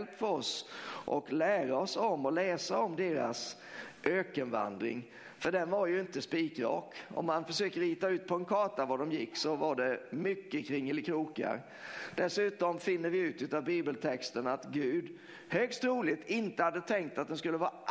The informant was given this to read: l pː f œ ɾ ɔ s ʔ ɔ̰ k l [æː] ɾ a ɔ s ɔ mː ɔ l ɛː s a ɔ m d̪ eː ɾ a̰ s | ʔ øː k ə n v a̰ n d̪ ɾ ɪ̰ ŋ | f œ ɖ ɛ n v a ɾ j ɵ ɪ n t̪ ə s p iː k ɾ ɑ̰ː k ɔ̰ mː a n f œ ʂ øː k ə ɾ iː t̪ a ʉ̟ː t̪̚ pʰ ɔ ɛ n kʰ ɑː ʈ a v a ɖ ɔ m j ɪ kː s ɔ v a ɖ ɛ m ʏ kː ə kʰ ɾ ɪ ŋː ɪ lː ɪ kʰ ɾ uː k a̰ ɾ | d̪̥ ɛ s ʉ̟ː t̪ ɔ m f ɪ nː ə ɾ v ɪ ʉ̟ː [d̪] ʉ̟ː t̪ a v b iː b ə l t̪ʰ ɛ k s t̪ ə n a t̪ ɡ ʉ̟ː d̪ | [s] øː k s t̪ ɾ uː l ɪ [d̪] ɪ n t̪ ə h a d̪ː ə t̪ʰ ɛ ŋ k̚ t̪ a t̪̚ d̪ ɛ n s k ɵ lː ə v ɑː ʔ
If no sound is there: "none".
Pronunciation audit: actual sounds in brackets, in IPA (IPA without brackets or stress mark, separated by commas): æː, t̪, h, t̪